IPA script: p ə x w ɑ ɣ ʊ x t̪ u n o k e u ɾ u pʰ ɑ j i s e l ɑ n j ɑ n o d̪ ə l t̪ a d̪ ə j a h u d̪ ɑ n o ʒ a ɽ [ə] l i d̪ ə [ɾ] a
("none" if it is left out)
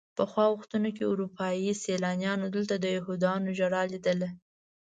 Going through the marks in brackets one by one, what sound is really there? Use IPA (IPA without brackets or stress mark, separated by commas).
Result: ɑ, l